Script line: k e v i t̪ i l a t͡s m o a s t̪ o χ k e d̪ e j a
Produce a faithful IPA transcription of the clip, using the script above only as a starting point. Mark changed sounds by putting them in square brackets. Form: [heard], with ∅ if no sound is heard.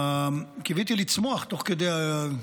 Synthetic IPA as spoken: k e v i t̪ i l [i] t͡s m o a [χ] t̪ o χ k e d̪ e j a